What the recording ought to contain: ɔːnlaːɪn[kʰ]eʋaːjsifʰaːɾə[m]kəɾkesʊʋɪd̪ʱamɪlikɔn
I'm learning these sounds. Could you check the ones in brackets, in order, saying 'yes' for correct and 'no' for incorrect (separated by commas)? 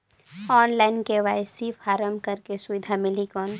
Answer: no, yes